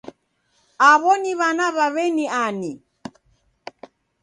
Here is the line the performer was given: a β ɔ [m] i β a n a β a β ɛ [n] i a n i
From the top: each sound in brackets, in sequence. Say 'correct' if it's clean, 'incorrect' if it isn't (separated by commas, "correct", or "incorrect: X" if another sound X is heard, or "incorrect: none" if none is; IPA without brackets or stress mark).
incorrect: n, correct